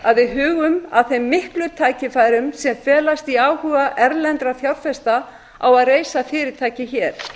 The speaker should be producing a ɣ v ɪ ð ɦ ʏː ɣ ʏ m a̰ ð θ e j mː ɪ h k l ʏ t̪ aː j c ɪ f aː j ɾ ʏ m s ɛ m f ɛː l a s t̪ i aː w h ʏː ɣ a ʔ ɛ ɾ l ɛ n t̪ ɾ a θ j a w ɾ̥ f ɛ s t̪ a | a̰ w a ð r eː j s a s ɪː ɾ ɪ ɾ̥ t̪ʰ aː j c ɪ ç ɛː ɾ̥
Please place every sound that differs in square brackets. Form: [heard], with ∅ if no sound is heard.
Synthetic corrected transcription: a [ð] v ɪ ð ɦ ʏː ɣ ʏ m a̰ ð θ e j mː ɪ h k l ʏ [t̪ʰ] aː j c ɪ f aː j ɾ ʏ m s ɛ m f ɛː l a s t̪ i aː w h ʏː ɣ a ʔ ɛ ɾ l ɛ n t̪ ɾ a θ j a w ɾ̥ f ɛ s t̪ a | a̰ w a ð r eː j s a [f] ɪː ɾ ɪ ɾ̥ t̪ʰ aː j c ɪ ç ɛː ɾ̥

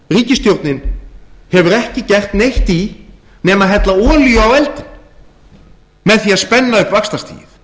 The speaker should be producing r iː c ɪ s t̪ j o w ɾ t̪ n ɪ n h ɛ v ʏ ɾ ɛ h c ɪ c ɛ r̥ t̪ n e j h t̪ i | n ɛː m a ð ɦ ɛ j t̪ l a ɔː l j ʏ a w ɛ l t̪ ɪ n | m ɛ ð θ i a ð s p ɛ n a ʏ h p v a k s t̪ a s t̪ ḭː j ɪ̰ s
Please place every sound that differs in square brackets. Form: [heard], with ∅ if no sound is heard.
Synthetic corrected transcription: r iː c ɪ s t̪ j o w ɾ t̪ n ɪ n h ɛ v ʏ ɾ ɛ h c ɪ c ɛ r̥ t̪ n e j h t̪ i | n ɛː m a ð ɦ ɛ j t̪ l a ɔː l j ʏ a w ɛ l t̪ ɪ n | m ɛ ð θ i a ð s p ɛ [nː] a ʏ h p v a k s t̪ a s t̪ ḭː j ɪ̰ [θ]

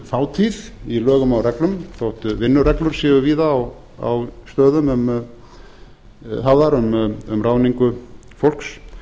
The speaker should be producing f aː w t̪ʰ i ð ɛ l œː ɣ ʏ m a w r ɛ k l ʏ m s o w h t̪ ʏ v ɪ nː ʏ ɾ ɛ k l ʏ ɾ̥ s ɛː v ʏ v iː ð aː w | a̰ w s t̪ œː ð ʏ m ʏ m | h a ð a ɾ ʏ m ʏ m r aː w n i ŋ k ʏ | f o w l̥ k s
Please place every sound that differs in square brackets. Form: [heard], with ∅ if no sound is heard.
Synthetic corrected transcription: f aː w t̪ʰ i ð [i] l œː ɣ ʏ m a w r ɛ k l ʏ m [θ] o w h t̪ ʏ v ɪ nː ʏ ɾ ɛ k l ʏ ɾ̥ s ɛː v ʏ v iː ð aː w | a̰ w s t̪ œː ð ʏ m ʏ m | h a ð a ɾ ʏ m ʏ m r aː w n i ŋ k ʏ | f o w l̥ k s

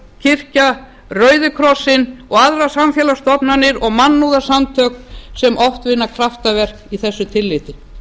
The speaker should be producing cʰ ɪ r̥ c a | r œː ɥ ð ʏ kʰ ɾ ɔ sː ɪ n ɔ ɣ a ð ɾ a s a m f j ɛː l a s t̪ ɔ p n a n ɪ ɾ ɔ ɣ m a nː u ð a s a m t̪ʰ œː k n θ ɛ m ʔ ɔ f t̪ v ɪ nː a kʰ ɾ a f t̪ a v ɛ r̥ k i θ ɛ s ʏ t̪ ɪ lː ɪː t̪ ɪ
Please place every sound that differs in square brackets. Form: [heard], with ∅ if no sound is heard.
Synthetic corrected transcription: cʰ ɪ r̥ c a | r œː ɥ ð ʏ kʰ ɾ ɔ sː ɪ n ɔ ɣ a ð ɾ a s a m f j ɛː l a s t̪ ɔ p n a n ɪ ɾ ɔ ɣ m a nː u ð a s a m t̪ʰ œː k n [s] ɛ m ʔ ɔ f t̪ v ɪ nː a kʰ ɾ a f t̪ a v ɛ r̥ k i θ ɛ [sː] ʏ [t̪ʰ] ɪ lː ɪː t̪ ɪ

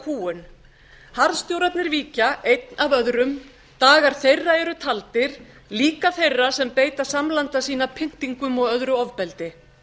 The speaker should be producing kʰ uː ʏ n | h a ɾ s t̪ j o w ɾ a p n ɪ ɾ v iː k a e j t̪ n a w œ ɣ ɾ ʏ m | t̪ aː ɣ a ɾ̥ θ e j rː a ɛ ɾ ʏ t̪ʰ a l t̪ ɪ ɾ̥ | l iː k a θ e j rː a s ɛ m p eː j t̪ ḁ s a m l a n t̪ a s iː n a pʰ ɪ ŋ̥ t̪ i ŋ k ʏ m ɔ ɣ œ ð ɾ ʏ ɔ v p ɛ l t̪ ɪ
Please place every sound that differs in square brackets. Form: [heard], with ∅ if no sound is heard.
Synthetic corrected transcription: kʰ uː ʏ n | h a ɾ s t̪ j o w ɾ a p n ɪ ɾ v iː [c] a e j t̪ n a [v] œ [ð] ɾ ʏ m | t̪ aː ɣ a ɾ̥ θ e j rː a ɛ ɾ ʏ t̪ʰ a l t̪ ɪ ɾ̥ | l iː k a θ e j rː a s ɛ m p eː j t̪ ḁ s a m l a n t̪ a s iː n a pʰ ɪ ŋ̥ t̪ i ŋ k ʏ m ɔ ɣ œ ð ɾ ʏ ɔ v p ɛ l t̪ ɪ

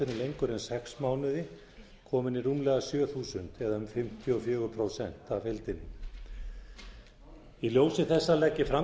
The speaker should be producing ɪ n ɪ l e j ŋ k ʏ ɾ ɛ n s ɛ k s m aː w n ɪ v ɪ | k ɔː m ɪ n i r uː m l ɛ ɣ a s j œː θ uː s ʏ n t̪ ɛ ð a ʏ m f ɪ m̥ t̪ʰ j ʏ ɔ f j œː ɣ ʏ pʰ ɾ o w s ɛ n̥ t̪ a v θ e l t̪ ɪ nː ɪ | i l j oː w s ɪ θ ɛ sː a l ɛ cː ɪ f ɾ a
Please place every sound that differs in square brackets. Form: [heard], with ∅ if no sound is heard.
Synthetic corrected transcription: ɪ n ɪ l e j ŋ k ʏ ɾ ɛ n s ɛ k s m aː w n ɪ [ð] ɪ | [kʰ] ɔː m ɪ n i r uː m l ɛ ɣ a s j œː θ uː s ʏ n t̪ ɛ ð a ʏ m f ɪ m̥ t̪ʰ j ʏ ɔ f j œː ɣ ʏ pʰ ɾ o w s ɛ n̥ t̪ a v [f] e l t̪ ɪ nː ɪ | i l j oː w s ɪ θ ɛ sː a l ɛ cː ɪ f ɾ a

